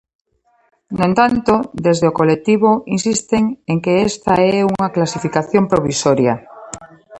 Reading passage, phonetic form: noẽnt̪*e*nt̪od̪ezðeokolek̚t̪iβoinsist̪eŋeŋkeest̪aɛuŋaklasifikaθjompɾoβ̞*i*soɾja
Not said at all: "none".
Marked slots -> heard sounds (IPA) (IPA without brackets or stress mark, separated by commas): a, i